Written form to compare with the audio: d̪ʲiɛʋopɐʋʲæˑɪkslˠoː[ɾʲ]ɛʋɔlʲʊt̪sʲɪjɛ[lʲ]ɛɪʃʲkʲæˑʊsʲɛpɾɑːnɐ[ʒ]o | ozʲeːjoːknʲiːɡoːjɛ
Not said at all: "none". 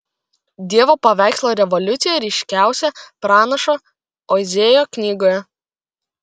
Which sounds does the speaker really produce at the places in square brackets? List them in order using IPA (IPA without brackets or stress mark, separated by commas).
ɾʲ, ɾʲ, ʃ